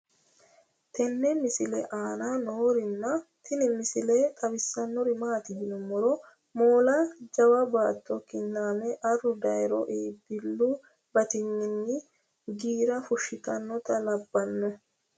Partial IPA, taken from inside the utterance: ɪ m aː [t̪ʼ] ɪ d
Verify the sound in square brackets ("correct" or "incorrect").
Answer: incorrect